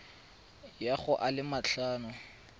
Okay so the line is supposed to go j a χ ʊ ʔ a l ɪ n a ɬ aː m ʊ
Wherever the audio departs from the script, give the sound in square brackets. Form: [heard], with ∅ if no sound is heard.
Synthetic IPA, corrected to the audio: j a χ ʊ ʔ a l ɪ [m] a ɬ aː [n] ʊ